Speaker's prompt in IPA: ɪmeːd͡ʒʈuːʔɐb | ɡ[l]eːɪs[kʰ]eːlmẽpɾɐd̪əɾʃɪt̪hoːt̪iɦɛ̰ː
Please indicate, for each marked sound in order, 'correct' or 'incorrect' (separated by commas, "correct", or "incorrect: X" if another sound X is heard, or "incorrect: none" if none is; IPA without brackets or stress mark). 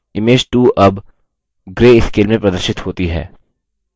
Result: incorrect: ɾ, incorrect: k